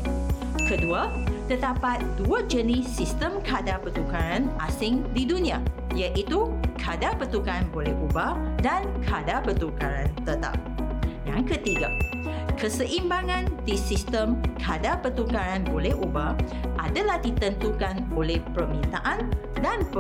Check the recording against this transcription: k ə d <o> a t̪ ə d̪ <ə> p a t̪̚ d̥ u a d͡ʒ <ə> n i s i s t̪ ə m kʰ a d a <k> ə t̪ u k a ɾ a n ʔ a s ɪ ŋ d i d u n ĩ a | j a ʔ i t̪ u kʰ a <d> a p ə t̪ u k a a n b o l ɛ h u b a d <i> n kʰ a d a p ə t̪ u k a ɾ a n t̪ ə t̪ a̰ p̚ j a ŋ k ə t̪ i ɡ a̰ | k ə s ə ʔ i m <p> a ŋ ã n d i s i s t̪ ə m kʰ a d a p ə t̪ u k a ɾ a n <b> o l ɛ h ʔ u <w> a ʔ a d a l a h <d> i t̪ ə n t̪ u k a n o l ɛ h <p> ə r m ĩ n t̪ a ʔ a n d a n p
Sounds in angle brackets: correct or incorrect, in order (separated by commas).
incorrect, incorrect, correct, incorrect, correct, incorrect, incorrect, correct, incorrect, correct, correct